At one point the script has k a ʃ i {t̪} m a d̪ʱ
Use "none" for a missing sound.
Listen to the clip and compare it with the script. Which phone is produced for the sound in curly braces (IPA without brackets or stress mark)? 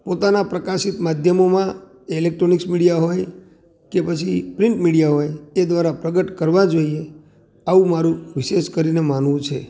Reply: t̪